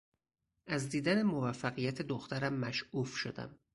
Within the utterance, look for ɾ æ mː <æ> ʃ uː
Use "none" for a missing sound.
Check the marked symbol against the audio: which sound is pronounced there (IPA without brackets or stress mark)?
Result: æ